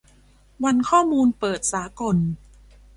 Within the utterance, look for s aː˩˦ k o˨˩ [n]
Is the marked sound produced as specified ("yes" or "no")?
yes